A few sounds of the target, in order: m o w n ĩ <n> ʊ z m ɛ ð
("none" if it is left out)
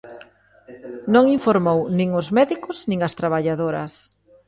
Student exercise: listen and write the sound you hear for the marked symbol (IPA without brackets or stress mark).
ŋ